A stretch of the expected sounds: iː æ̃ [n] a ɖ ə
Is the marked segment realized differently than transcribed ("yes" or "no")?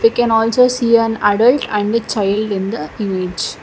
no